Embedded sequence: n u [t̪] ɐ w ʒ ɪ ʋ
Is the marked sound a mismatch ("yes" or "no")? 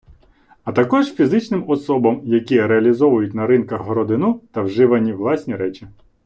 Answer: no